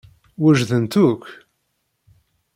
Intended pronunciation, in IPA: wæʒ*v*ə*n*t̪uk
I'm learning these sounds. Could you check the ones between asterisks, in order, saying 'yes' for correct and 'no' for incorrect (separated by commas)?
no, yes